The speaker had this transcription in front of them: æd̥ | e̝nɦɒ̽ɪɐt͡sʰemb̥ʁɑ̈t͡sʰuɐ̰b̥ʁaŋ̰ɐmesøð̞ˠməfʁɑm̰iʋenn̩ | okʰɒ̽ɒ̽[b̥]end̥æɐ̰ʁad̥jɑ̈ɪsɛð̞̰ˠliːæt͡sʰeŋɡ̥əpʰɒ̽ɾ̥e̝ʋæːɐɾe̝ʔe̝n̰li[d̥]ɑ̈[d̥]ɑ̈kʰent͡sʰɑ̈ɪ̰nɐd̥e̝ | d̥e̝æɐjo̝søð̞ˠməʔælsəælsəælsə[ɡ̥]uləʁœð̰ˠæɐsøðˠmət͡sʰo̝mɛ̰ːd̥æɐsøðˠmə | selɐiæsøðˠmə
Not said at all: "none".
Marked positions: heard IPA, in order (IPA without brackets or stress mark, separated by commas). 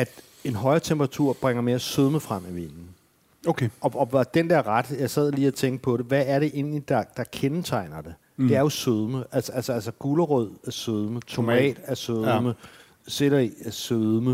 d̥, d̥, d̥, ɡ̥